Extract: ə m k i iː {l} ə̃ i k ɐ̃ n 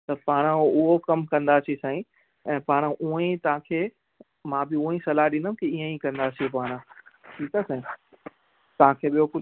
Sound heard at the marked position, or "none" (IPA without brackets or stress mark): none